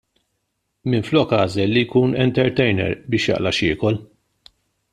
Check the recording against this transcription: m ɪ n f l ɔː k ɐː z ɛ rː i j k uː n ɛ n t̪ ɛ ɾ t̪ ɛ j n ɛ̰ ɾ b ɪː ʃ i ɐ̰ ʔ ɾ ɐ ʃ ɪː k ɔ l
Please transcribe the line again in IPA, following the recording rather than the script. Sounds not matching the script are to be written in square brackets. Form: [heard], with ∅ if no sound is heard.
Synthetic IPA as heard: m ɪ n f l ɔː k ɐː z ɛ [lː] i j k uː n ɛ n t̪ ɛ ɾ t̪ ɛ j n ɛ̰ ɾ b ɪː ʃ [j] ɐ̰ ʔ [l] ɐ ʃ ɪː k ɔ l